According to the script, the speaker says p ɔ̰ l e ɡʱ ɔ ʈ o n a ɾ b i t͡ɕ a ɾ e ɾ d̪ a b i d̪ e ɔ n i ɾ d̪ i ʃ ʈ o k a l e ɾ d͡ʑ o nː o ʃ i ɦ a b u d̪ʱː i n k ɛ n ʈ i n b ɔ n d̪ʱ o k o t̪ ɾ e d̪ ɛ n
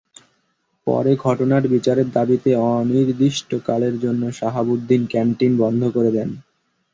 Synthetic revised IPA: p ɔ̰ ɾ e ɡʱ ɔ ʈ o n a ɾ b i t͡ɕ a ɾ e ɾ d̪ a b i t̪ e ɔ n i ɾ d̪ i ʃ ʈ o k a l e ɾ d͡ʑ o nː o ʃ a ɦ a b u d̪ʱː i n k ɛ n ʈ i n b ɔ n d̪ʱ o k o ɾ e d̪ ɛ n